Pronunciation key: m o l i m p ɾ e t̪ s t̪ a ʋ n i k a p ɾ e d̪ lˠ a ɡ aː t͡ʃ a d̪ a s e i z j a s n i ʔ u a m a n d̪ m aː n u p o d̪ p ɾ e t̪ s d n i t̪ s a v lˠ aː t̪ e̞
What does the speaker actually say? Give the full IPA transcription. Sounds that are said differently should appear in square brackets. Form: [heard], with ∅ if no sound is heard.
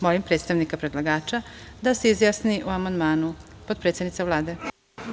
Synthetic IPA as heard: m o l i m p ɾ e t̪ s t̪ a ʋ n i k a p ɾ e d̪ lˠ a ɡ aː t͡ʃ a d̪ a s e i z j a s n i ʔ u a m a n d̪ m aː n u p o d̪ p ɾ e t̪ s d n i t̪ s a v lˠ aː [d̪] e̞